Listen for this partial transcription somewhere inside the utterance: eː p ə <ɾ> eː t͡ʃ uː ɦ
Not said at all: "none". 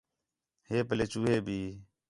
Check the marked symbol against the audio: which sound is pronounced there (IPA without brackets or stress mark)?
l